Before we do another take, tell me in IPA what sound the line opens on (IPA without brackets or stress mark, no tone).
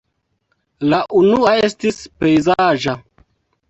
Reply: l